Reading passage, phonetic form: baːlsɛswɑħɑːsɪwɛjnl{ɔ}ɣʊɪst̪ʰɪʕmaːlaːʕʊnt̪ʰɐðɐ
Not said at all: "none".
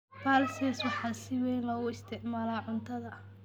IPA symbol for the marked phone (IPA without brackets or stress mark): ɔː